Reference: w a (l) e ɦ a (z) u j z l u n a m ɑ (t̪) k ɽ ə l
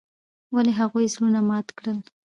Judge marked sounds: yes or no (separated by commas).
yes, no, yes